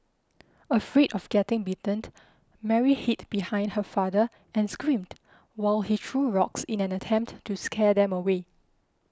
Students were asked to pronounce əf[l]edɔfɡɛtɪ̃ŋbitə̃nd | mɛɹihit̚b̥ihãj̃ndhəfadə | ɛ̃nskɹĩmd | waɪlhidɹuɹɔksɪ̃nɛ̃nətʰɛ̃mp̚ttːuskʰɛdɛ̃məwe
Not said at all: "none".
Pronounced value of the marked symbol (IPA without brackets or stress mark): ɹ